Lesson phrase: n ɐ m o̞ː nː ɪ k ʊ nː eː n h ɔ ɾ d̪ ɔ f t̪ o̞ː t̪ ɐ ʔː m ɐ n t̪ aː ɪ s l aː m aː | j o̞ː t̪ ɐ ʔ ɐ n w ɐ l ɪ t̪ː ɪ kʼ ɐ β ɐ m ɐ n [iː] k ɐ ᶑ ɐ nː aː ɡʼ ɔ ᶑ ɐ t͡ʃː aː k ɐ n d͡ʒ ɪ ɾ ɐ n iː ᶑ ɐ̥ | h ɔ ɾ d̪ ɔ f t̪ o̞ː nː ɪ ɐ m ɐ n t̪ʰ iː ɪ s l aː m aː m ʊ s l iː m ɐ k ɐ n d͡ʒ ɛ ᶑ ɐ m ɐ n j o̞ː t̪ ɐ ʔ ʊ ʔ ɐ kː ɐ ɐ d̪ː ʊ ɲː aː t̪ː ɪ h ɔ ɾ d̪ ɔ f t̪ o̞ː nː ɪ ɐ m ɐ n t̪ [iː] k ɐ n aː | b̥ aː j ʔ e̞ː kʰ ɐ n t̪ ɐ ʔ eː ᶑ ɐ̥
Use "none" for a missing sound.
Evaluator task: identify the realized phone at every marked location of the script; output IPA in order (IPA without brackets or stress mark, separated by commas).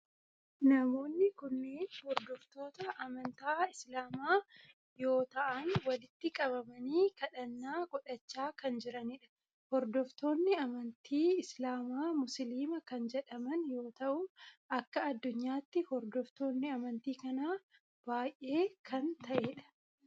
iː, iː